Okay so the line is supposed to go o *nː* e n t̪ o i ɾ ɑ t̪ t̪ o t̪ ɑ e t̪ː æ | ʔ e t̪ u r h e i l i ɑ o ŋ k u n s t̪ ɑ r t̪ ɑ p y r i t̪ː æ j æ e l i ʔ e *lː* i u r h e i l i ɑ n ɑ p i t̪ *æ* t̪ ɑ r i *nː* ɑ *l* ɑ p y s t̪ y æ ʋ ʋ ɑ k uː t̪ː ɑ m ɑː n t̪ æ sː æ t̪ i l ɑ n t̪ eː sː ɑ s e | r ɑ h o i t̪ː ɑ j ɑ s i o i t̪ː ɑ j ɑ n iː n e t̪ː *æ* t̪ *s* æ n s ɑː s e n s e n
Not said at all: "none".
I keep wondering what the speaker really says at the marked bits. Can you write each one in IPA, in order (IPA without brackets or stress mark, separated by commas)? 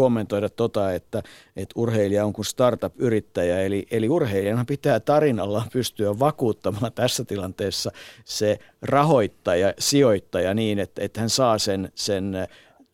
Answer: mː, l, æː, n, lː, e, h